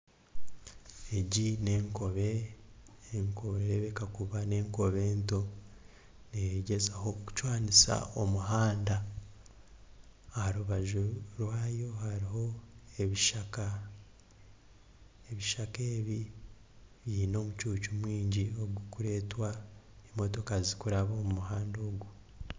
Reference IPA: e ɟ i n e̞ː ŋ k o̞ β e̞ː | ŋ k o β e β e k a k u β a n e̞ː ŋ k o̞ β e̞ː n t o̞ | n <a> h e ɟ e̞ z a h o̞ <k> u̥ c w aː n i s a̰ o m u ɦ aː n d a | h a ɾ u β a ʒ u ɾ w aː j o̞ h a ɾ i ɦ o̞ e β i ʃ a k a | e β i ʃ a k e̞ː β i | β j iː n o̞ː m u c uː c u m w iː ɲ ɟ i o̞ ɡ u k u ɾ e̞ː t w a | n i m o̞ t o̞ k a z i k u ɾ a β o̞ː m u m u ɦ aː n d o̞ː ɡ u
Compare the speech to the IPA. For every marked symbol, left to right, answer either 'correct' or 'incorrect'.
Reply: incorrect, correct

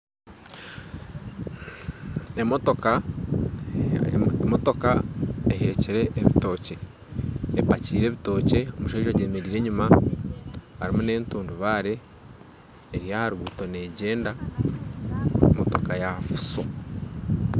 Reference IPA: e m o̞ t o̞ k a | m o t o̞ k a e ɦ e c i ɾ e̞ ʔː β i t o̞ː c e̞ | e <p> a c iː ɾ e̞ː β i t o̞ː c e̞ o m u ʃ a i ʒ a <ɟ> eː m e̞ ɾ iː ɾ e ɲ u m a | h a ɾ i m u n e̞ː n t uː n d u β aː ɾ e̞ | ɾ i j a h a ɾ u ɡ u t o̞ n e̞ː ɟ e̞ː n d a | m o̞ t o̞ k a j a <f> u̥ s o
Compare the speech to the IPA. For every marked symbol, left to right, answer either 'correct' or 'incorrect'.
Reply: correct, correct, correct

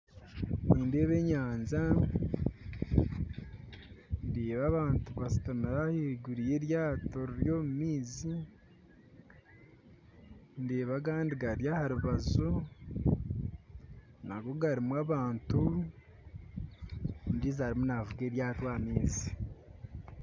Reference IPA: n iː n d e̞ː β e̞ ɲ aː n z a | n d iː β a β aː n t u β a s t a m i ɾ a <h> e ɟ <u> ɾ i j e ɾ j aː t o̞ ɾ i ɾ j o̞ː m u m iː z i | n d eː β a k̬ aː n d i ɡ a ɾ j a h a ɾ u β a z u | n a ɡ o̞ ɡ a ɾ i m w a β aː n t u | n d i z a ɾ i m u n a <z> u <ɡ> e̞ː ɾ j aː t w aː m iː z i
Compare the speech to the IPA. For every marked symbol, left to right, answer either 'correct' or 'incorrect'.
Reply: correct, correct, incorrect, correct

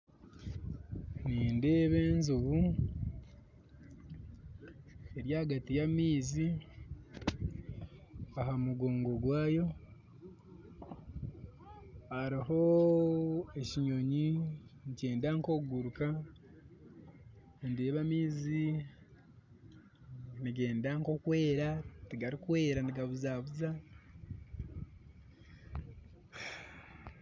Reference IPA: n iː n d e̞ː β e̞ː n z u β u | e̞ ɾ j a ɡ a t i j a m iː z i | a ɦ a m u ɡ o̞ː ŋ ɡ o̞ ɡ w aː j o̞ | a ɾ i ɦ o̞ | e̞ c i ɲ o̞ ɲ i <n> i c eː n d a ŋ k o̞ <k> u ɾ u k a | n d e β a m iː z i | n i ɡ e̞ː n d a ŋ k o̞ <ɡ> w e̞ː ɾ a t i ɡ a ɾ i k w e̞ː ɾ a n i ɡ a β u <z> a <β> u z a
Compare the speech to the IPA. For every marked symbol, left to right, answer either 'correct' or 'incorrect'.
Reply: correct, incorrect, incorrect, correct, correct

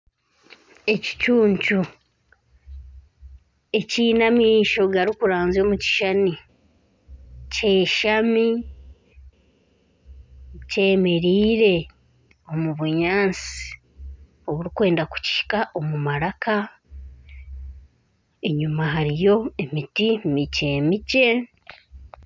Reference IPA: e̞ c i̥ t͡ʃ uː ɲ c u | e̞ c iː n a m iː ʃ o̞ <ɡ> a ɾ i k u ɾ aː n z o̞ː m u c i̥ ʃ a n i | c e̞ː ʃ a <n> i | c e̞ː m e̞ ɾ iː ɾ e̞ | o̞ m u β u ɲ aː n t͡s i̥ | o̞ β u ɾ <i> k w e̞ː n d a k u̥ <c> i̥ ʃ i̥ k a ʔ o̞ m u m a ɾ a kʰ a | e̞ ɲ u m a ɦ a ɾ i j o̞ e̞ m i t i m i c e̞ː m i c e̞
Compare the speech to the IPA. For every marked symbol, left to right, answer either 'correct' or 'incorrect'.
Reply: correct, incorrect, correct, correct

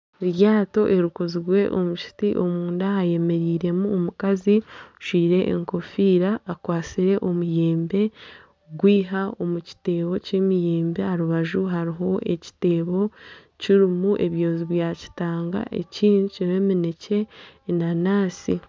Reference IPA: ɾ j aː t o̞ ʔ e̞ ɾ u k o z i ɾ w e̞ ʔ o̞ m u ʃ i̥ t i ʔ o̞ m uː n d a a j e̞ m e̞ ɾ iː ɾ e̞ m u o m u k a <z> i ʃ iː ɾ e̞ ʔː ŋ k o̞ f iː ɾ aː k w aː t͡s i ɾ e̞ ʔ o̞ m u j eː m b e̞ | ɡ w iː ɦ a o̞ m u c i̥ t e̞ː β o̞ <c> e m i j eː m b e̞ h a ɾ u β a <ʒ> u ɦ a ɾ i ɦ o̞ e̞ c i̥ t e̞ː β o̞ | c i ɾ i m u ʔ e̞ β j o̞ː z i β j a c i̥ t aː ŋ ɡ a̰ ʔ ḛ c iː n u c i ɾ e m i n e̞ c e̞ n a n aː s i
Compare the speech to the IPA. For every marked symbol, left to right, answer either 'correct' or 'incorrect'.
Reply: correct, correct, correct

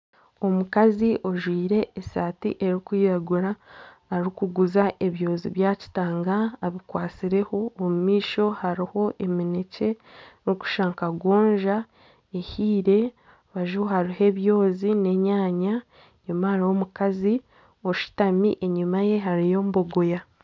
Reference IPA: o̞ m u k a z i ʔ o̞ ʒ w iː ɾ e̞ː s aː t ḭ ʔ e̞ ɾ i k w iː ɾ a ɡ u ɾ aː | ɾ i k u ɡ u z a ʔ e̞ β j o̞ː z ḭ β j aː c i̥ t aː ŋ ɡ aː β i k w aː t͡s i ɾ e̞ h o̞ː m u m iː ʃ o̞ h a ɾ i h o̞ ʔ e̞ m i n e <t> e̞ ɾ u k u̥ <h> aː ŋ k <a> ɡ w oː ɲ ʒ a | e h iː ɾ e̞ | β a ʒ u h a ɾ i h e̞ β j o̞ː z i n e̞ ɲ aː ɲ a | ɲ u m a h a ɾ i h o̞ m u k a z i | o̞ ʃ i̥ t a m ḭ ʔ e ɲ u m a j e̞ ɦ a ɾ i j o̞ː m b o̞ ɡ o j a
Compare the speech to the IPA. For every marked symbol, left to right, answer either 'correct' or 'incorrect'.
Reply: incorrect, incorrect, correct

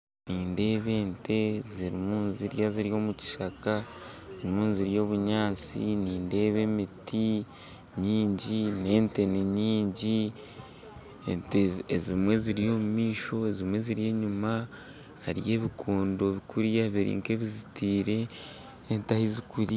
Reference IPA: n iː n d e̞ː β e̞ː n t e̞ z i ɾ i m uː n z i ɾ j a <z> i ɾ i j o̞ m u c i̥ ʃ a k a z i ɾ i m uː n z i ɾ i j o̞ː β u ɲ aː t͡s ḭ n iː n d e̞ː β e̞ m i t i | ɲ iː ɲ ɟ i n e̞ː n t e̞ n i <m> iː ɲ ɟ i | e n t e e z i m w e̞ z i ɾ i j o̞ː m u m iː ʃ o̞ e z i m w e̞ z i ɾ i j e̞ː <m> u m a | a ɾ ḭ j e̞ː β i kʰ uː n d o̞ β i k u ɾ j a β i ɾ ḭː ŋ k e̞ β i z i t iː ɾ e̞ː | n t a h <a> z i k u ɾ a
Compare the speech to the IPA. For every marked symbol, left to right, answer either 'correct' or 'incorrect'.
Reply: correct, incorrect, incorrect, incorrect

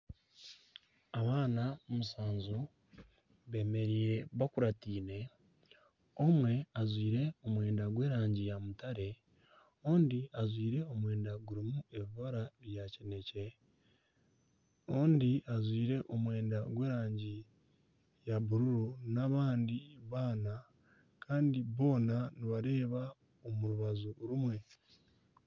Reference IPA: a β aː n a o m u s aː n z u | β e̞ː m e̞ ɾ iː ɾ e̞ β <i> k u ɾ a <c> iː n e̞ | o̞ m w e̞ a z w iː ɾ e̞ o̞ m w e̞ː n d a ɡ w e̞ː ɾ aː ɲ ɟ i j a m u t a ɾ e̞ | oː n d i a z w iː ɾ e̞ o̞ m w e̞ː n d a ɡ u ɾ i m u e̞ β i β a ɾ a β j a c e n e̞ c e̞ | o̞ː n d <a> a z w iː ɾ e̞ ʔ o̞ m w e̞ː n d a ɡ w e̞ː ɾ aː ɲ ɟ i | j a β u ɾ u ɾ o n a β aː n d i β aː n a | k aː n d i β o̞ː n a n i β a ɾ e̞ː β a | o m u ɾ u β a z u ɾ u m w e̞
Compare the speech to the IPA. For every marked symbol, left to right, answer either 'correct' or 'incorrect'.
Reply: incorrect, incorrect, incorrect

